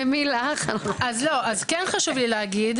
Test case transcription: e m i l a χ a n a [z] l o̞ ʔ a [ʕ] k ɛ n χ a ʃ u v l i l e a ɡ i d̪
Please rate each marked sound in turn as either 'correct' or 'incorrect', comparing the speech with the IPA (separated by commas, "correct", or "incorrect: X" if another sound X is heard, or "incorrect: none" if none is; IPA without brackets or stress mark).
correct, incorrect: z